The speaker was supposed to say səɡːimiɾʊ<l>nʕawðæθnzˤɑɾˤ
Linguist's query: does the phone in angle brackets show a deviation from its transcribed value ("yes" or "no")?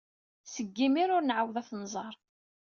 yes